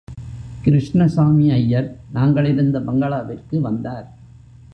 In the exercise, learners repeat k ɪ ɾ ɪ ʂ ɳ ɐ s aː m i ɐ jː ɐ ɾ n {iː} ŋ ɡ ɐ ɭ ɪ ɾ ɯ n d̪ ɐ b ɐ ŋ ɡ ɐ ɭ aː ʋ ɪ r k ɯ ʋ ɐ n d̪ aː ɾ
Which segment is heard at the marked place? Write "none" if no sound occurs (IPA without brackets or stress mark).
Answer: aː